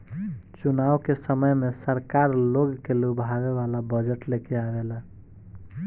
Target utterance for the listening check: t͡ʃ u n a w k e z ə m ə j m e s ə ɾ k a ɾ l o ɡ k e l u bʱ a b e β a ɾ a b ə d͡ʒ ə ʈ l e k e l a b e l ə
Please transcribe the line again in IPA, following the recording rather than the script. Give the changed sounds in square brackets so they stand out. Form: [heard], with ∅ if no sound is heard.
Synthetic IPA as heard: t͡ʃ u n a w k e [s] ə m ə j m e s ə ɾ k a ɾ l o ɡ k e l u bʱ a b e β a [l] a b ə d͡ʒ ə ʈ l e k e [∅] a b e l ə